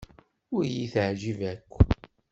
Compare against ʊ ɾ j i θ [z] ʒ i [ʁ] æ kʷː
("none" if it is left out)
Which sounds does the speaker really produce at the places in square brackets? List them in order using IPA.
ʕ, v

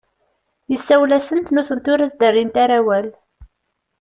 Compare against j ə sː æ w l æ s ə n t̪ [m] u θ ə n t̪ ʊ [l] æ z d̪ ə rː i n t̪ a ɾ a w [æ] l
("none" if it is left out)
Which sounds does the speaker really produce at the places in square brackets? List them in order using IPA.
n, ɾ, æ

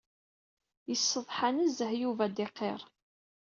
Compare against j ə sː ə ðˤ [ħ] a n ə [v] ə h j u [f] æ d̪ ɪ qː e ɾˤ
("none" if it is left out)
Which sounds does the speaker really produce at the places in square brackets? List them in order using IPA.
ħ, z, v

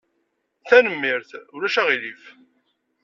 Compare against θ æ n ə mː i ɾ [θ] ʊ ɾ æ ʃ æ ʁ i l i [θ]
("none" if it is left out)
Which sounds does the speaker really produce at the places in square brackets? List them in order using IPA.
θ, f

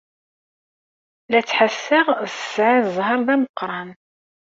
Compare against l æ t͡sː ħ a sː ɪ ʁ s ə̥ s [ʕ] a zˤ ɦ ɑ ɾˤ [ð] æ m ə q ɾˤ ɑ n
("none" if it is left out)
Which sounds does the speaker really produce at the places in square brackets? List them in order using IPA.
ʕ, ð

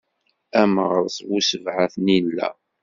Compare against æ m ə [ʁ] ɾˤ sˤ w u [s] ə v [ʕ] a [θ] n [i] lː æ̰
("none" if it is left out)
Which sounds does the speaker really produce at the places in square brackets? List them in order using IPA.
ʁ, s, ʕ, θ, i

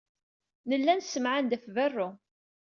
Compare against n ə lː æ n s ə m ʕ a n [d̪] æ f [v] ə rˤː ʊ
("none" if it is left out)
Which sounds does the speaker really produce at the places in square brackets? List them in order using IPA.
d̪, v

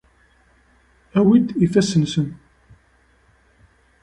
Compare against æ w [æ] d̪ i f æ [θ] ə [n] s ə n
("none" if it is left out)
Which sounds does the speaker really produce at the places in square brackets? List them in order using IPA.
i, s, n

